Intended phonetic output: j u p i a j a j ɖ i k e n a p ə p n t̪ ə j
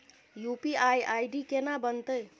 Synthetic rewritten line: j u p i a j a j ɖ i k e n a b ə n t̪ ə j

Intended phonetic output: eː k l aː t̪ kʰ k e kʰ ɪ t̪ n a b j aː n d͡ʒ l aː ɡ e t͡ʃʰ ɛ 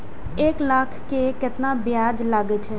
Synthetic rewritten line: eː k l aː kʰ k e k ɪ t̪ n a b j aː d͡ʒ l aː ɡ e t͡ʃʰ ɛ

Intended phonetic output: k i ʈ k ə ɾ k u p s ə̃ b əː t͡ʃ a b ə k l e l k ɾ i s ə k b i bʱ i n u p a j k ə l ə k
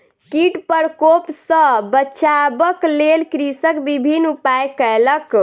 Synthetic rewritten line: k i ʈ p ə ɾ k o p s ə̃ b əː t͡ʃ a b ə k l e l k ɾ i s ə k b i bʱ i n u p a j k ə l ə k

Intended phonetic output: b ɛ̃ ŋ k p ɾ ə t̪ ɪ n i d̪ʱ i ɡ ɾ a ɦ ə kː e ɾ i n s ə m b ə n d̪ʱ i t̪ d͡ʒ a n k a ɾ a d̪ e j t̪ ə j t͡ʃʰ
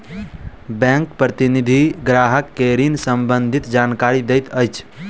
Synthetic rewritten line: b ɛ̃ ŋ k p ɾ ə t̪ i n i d̪ʱ i ɡ ɾ a ɦ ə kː e ɾ i n s ə m b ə n d̪ʱ i t̪ d͡ʒ a n k a ɾ i d̪ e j t̪ ə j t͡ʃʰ

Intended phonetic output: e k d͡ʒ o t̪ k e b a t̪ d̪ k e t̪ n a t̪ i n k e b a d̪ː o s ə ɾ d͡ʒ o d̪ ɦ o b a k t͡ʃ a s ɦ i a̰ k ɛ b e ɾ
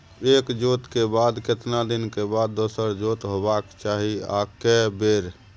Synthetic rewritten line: e k d͡ʒ o t̪ k e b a d̪ k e t̪ n a d̪ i n k e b a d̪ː o s ə ɾ d͡ʒ o t̪ ɦ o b a k t͡ʃ a ɦ i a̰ k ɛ b e ɾ

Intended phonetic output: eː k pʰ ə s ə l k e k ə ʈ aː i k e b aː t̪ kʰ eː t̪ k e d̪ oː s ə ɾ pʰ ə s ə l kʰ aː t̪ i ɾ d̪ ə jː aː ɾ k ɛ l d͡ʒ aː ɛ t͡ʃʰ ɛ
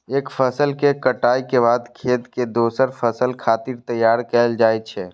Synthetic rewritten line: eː k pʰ ə s ə l k e k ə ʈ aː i k e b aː d̪ kʰ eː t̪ k e d̪ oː s ə ɾ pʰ ə s ə l kʰ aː t̪ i ɾ t̪ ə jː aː ɾ k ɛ l d͡ʒ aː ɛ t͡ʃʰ ɛ

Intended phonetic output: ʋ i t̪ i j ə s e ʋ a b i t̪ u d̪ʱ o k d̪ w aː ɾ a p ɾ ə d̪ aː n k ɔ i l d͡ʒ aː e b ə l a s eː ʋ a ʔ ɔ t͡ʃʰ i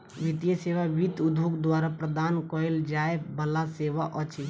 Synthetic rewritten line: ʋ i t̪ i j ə s e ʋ a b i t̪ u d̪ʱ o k d̪ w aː ɾ a p ɾ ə d̪ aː n k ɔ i l d͡ʒ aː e b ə l a s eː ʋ a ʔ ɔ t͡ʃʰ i

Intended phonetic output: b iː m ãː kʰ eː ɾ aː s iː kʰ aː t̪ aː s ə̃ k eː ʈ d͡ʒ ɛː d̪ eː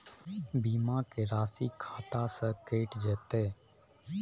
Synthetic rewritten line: b iː m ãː k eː ɾ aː s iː kʰ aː t̪ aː s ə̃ k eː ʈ d͡ʒ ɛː t̪ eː

